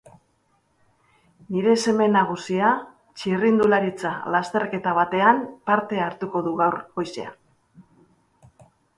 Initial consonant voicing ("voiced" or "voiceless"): voiced